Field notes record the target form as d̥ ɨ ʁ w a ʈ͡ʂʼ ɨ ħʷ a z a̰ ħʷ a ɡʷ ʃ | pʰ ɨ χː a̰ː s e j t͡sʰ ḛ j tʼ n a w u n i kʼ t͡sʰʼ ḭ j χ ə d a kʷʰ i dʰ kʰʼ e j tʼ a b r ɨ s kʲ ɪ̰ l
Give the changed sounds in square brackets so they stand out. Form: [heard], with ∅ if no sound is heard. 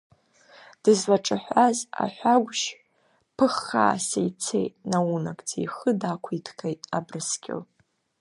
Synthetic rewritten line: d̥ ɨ [z] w a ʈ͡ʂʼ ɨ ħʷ a z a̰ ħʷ a ɡʷ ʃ | pʰ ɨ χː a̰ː s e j t͡sʰ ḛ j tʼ n a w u n [a] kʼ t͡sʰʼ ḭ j χ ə d a kʷʰ i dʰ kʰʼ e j tʼ a b r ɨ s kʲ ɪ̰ l